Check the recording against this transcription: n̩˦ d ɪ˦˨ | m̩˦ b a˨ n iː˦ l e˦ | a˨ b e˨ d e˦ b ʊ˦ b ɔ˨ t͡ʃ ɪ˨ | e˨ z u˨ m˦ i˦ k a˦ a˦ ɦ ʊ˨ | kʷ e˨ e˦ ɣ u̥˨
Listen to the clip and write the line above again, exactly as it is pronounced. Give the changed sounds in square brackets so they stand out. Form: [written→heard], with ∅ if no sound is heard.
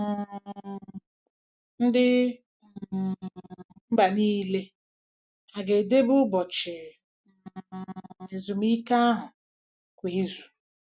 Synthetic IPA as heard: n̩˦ d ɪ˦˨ | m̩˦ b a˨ n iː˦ l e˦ | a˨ [b→ɡ] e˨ d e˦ b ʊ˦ b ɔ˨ t͡ʃ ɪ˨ | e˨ z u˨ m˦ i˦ k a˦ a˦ ɦ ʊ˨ | kʷ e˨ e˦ [ɣ→z] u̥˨